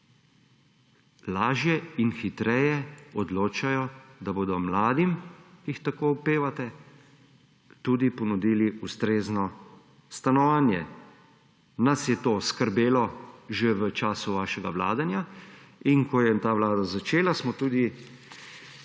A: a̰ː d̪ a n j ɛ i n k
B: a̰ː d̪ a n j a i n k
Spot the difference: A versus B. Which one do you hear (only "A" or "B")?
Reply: B